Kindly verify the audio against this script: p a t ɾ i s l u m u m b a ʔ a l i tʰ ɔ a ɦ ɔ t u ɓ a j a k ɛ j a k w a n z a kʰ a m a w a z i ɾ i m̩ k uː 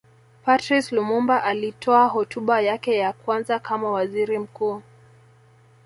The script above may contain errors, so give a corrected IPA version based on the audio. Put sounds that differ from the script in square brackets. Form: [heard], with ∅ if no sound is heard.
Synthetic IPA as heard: p a t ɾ i s l u m u m b a ʔ a l i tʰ ɔ a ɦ ɔ t u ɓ a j a k ɛ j a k w a n z a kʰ a m a w a z i ɾ i m̩ k uː